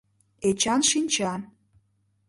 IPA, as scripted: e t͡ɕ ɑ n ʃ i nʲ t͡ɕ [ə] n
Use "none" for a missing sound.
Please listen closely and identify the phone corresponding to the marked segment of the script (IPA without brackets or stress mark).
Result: ɑ